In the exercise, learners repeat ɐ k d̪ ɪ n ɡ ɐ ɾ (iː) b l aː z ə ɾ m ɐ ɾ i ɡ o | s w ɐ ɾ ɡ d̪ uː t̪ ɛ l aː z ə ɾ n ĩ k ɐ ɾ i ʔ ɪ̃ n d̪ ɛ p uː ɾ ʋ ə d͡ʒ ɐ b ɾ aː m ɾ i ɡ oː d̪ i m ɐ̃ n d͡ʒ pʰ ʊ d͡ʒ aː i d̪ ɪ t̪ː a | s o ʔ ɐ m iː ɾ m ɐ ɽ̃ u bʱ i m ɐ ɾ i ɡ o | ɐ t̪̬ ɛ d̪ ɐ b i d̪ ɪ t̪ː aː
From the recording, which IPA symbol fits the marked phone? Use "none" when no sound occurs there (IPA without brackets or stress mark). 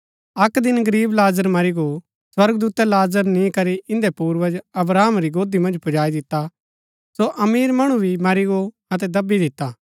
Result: iː